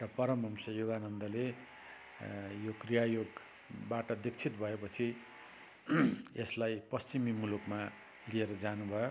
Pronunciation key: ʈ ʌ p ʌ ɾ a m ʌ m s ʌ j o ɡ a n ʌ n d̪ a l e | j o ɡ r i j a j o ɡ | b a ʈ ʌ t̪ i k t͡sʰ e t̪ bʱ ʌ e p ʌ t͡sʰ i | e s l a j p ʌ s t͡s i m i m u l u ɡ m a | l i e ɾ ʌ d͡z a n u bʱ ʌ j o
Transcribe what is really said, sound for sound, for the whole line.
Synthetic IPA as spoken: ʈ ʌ p ʌ ɾ ʌ m ʌ m s ʌ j o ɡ a n ʌ n d̪ ʌ l e | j o k r i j a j o ɡ | b a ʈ ʌ d̪ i k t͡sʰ i t̪ bʱ ʌ e p ʌ t͡sʰ i | e s l a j p ʌ s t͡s i m i m u l u k m a | l i e ɾ ʌ d͡z a n u bʱ ʌ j o